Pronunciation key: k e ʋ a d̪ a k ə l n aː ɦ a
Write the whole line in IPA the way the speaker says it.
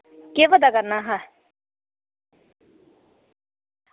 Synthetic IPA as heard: k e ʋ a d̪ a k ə ɾ n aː ɦ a